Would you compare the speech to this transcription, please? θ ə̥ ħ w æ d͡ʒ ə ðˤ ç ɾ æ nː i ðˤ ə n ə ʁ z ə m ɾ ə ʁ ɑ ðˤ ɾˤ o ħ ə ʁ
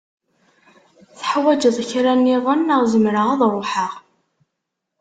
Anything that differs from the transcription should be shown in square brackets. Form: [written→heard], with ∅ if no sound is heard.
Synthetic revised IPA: θ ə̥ ħ w æ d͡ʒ ə ðˤ ç ɾ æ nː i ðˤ ə n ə ʁ z ə m ɾ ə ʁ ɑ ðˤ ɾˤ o ħ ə ʁ